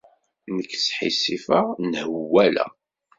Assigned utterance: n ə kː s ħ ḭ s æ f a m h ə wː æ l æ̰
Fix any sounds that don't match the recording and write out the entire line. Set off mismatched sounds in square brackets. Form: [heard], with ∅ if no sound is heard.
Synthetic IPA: n ə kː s ħ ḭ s [i] f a [n] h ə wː æ l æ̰